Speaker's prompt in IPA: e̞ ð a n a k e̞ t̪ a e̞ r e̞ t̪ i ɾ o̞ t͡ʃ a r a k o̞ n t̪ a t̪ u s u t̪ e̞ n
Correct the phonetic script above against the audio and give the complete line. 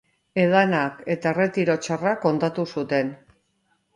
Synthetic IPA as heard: e̞ ð a n a k e̞ t̪ a e̞ r e̞ t̪ i ɾ o̞ t͡ʃ a r a k o̞ n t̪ a t̪ u s u t̪ e̞ n